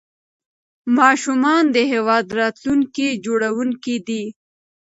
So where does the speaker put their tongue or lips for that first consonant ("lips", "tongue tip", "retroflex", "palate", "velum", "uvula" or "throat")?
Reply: lips